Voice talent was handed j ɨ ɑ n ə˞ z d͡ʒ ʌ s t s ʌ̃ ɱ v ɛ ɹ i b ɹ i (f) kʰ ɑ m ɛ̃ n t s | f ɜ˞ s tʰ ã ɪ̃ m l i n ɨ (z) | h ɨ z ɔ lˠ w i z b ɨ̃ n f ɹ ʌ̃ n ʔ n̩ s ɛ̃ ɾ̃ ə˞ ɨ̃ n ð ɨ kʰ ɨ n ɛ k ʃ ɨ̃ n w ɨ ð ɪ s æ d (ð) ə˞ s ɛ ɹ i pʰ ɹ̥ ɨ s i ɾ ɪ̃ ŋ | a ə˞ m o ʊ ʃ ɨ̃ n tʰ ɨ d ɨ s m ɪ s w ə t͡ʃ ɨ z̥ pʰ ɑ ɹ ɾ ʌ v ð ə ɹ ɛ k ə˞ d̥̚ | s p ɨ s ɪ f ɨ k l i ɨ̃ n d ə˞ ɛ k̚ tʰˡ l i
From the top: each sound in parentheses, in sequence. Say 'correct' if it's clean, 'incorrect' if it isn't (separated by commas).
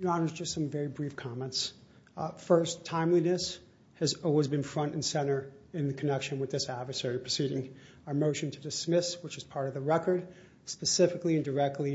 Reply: correct, incorrect, incorrect